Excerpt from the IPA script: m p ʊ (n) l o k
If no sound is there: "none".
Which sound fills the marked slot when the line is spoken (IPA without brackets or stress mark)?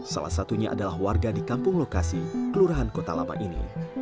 ŋ